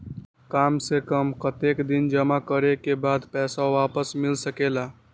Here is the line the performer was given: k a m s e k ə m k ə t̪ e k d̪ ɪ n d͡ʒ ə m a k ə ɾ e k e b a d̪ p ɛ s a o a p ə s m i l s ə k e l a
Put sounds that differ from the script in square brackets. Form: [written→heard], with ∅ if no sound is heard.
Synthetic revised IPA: k a m s e k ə m k ə t̪ e k d̪ [ɪ→i] n d͡ʒ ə m a k ə ɾ e k e b a d̪ p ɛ s a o a p ə s m i l s ə k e l a